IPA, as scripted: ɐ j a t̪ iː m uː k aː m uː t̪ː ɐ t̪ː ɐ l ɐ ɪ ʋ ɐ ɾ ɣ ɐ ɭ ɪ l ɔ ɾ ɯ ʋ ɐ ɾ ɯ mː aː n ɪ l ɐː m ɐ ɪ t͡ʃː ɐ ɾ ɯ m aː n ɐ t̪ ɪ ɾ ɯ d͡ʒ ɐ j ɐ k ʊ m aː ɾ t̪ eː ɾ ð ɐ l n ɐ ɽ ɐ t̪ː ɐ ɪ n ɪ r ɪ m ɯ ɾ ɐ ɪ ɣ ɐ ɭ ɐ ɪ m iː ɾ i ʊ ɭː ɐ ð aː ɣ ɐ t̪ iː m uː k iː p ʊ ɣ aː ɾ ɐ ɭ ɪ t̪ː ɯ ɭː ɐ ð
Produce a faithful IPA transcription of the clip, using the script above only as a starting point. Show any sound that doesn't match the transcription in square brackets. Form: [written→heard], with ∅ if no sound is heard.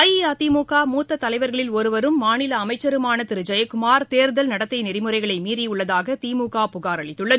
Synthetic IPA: ɐ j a t̪ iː m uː k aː m uː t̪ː ɐ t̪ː ɐ l ɐ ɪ ʋ ɐ ɾ ɣ ɐ ɭ ɪ l ɔ ɾ ɯ ʋ ɐ ɾ ɯ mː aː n ɪ l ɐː m ɐ ɪ t͡ʃː ɐ ɾ ɯ m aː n ɐ t̪ ɪ ɾ ɯ d͡ʒ ɐ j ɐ k ʊ m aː ɾ t̪ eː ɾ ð ɐ l n ɐ ɽ ɐ t̪ː ɐ ɪ n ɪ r ɪ m ɯ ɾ ɐ ɪ ɣ ɐ ɭ ɐ ɪ m iː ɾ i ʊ ɭː ɐ ð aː ɣ ɐ t̪ iː m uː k [iː→aː] p ʊ ɣ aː ɾ ɐ ɭ ɪ t̪ː ɯ ɭː ɐ ð